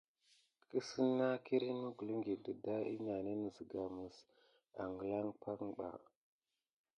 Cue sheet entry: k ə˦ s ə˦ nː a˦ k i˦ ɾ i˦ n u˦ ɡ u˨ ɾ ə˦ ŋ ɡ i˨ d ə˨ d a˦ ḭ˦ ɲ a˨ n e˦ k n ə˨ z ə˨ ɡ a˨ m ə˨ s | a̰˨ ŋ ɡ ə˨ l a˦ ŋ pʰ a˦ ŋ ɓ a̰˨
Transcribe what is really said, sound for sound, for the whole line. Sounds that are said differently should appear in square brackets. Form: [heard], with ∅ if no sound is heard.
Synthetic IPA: k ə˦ s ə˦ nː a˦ k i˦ ɾ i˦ n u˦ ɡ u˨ [l] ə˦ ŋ ɡ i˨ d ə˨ d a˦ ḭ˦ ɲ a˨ n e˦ [∅] n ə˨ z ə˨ ɡ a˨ m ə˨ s | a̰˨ ŋ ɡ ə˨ l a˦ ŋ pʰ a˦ ŋ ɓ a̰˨